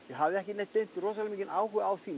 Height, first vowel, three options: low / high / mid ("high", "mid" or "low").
mid